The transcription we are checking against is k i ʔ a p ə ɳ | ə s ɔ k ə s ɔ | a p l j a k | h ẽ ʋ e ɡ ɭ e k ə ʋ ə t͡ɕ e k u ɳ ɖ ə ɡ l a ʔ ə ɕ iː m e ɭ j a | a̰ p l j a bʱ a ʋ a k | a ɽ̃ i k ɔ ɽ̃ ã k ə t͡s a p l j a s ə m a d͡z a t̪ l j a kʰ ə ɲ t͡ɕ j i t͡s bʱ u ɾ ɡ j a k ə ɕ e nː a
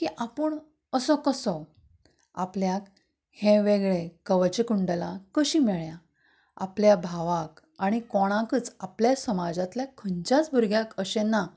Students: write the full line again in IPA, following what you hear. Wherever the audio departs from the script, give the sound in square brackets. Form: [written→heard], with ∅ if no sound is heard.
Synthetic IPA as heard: k i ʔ a p ə ɳ | ə s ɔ k ə s ɔ | a p l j a k | h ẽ ʋ e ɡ ɭ e k ə ʋ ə t͡ɕ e k u ɳ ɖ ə [ɡ→∅] l a [ʔ→k] ə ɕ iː m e ɭ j a | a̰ p l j a bʱ a ʋ a k | a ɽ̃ i k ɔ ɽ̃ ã k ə t͡s a p l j a s ə m a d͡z a t̪ l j a kʰ ə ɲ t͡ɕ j [i→a] t͡s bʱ u ɾ ɡ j a k ə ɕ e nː a